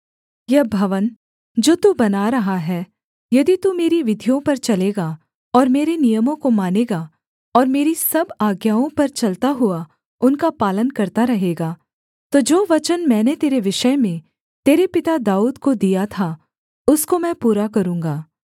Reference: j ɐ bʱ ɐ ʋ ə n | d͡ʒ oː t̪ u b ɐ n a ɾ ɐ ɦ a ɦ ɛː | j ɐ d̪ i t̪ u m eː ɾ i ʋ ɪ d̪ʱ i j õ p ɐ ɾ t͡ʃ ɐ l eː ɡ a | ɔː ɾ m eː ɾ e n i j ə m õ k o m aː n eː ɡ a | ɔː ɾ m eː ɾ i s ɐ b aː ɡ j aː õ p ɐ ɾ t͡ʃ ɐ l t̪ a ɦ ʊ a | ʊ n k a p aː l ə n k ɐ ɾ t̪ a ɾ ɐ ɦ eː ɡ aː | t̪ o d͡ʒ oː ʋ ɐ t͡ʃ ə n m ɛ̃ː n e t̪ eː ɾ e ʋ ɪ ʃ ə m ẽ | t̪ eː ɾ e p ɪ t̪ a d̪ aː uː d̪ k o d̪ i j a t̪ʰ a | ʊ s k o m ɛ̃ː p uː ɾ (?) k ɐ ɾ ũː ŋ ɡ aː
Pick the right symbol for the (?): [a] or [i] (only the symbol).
a